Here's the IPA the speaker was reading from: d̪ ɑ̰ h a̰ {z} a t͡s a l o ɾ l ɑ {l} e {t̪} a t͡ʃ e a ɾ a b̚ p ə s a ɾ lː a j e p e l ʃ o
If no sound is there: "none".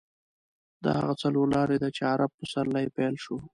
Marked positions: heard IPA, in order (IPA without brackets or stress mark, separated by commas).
ɣ, ɾ, d̪